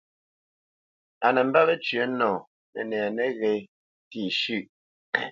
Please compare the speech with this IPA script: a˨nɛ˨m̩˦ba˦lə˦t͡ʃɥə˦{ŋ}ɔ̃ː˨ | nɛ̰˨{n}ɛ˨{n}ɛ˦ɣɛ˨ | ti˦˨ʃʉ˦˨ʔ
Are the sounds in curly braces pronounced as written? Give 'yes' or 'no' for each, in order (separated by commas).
no, yes, yes